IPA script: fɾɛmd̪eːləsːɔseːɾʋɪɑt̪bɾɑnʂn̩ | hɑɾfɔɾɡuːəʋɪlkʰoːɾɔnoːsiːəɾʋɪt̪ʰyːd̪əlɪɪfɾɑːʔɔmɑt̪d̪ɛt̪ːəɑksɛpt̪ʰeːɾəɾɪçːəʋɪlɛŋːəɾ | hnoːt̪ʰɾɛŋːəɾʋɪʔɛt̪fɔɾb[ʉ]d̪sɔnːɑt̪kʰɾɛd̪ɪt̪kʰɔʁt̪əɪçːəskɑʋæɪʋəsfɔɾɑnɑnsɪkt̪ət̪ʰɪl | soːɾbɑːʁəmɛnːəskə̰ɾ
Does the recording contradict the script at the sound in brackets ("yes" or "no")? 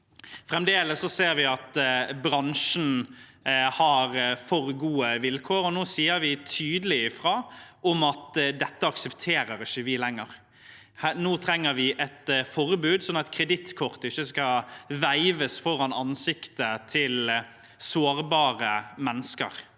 yes